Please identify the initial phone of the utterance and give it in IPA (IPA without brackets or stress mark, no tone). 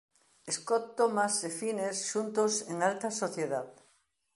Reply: e